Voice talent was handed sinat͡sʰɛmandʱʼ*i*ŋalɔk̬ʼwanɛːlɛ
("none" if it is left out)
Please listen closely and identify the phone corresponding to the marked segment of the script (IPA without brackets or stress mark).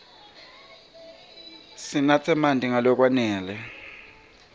i